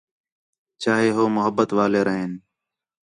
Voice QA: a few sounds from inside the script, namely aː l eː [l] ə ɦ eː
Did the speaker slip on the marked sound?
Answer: yes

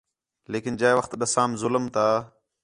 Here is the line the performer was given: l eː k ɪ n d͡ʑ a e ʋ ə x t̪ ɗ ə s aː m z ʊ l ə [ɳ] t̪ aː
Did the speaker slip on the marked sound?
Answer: yes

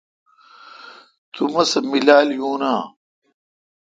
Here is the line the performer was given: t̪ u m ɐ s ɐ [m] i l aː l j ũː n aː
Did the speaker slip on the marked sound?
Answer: no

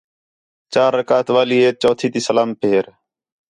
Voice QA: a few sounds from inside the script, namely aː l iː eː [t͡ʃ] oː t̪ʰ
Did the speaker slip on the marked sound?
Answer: no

